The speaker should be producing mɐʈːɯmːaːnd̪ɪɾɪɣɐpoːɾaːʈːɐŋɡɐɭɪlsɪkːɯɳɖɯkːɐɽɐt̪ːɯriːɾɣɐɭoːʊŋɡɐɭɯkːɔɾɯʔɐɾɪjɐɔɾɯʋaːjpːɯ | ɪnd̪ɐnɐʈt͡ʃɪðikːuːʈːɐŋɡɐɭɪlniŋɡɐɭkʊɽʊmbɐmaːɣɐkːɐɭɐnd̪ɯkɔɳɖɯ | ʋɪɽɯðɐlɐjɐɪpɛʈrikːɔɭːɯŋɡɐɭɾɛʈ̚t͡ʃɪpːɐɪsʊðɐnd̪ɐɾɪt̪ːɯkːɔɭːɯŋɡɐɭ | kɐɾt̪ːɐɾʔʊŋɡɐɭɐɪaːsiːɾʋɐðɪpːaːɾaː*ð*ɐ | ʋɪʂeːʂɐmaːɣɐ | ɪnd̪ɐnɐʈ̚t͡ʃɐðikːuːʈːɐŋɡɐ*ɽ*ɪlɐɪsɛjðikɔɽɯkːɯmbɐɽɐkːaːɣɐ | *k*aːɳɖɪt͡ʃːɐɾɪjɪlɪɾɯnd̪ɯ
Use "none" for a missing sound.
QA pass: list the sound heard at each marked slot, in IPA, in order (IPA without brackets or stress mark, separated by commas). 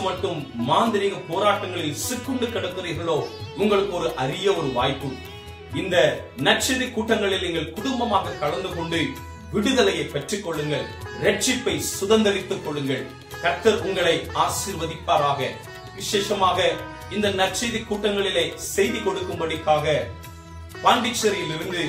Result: ɣ, ɭ, p